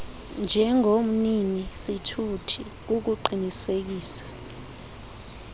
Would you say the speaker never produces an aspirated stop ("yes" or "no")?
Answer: no